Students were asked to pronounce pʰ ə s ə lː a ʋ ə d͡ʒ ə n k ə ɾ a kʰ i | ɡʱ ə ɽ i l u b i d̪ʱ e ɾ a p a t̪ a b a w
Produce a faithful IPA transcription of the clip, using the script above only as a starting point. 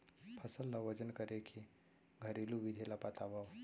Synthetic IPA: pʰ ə s ə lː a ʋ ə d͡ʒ ə n k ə ɾ e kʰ i | ɡʱ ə ɾ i l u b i d̪ʱ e l a p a t̪ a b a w

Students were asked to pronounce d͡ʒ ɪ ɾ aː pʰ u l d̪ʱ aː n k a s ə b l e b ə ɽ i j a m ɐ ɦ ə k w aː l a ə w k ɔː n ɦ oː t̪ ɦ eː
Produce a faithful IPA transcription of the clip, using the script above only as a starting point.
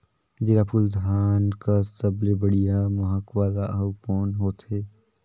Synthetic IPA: d͡ʒ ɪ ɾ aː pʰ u l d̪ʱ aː n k a s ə b l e b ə ɽ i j a m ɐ ɦ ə k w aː l a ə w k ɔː n ɦ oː t̪ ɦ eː

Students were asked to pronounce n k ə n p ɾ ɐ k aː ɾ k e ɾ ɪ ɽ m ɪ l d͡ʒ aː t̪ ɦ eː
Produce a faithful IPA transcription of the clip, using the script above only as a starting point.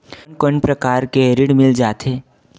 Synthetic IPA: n k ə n p ɾ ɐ k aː ɾ k e ɾ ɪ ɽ m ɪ l d͡ʒ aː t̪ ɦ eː

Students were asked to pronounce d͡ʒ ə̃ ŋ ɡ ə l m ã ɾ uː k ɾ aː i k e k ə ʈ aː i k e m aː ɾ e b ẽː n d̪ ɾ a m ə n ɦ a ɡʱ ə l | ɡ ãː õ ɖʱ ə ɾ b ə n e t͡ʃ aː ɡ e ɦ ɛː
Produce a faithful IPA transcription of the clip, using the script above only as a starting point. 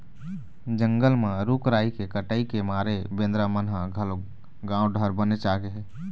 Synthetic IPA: d͡ʒ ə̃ ŋ ɡ ə l m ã ɾ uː k ɾ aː i k e k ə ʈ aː i k e m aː ɾ e b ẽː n d̪ ɾ a m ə n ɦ a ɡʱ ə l | ɡ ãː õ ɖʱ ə ɾ b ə n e t͡ʃ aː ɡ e ɦ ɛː

